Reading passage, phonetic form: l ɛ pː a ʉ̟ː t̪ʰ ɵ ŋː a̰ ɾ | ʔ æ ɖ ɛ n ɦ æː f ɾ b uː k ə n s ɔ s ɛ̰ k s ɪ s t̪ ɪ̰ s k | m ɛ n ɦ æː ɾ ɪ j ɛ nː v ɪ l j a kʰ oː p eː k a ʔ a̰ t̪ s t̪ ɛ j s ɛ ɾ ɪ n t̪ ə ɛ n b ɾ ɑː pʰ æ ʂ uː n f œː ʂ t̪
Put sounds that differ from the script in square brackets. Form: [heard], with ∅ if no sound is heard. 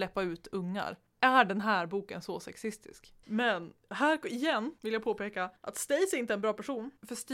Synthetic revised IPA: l ɛ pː a ʉ̟ː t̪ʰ ɵ ŋː a̰ ɾ | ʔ æ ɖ ɛ n ɦ æː [∅] ɾ b uː k ə n s ɔ s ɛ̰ k s ɪ s t̪ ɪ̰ s k | m ɛ n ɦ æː ɾ ɪ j ɛ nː v ɪ l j a [pʰ] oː p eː k a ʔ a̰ t̪ s t̪ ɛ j s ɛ ɾ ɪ n t̪ ə ɛ n b ɾ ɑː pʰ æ ʂ uː n f [œ] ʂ t̪